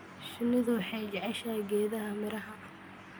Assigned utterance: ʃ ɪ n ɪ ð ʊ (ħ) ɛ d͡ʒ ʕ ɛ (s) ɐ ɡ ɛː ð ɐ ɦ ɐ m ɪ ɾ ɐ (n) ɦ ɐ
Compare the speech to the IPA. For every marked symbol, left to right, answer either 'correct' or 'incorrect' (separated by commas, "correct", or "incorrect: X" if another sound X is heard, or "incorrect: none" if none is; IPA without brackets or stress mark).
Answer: correct, incorrect: ʃ, incorrect: none